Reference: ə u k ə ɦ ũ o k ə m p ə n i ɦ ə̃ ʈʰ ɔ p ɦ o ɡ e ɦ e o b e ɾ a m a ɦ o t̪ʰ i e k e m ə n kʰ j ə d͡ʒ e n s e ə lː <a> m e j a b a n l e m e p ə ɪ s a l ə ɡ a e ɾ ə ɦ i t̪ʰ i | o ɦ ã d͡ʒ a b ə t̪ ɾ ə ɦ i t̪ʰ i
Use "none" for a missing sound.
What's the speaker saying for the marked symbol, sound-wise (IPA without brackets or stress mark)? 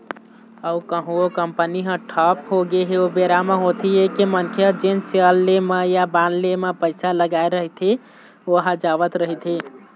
e